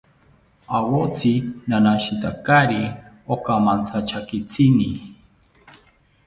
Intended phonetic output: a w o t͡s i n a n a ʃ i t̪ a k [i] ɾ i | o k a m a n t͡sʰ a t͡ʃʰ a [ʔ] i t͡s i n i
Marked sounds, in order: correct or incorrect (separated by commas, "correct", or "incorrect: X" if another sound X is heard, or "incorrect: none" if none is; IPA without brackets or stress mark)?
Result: incorrect: a, incorrect: k